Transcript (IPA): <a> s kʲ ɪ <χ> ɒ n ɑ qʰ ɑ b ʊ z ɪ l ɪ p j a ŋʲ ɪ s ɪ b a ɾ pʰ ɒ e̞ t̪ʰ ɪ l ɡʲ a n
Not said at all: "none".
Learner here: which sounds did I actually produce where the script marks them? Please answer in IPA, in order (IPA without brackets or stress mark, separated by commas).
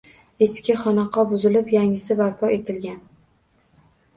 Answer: e, χ